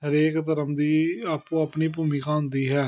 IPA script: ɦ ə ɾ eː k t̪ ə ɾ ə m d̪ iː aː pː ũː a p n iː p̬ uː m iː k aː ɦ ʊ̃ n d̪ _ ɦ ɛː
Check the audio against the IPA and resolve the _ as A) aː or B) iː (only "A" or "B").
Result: B